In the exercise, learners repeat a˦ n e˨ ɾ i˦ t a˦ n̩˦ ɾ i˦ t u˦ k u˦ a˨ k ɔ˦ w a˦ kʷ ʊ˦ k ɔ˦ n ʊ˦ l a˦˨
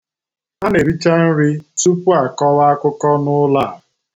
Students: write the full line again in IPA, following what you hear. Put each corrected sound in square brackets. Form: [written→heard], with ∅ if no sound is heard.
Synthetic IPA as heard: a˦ n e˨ ɾ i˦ [t→t͡ʃ] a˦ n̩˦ ɾ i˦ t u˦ [k→p] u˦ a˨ k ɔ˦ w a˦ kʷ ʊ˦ k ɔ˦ n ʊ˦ l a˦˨